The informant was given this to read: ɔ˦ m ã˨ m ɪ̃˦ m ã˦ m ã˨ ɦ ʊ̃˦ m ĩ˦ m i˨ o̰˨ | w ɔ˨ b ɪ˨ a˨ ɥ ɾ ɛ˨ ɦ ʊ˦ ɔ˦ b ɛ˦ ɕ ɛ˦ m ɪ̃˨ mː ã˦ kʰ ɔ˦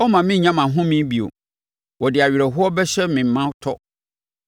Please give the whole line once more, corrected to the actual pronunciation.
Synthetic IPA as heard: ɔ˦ m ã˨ m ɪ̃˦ ɲ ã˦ m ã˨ ɦ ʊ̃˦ m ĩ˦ b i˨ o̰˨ | w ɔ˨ d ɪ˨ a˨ ɥ ɾ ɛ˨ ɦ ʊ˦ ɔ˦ b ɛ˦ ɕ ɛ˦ m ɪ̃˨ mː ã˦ tʰ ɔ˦